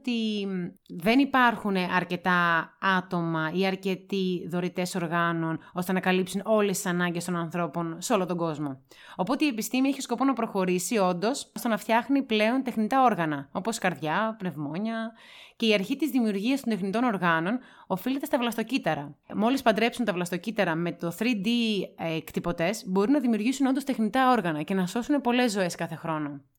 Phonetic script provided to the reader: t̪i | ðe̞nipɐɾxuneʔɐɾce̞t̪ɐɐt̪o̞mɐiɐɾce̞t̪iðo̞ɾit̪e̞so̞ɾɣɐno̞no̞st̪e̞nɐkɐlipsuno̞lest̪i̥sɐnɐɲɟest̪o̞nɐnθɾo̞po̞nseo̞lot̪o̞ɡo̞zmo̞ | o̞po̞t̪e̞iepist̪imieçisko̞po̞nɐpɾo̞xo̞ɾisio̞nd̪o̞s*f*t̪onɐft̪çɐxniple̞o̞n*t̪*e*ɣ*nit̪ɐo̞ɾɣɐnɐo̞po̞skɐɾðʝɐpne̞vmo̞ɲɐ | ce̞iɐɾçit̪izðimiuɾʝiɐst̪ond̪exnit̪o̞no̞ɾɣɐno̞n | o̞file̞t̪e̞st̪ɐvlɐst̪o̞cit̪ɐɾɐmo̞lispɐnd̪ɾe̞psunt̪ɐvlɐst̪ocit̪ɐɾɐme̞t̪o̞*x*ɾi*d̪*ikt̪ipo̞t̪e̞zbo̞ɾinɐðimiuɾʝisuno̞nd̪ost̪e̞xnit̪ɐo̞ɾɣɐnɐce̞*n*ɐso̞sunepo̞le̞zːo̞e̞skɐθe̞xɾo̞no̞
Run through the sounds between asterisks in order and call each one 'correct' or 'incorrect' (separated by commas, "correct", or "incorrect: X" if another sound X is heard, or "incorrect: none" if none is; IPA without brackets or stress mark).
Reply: incorrect: s, correct, incorrect: x, incorrect: θ, correct, correct